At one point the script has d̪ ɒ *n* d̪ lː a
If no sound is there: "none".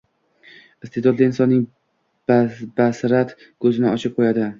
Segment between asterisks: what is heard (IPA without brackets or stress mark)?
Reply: none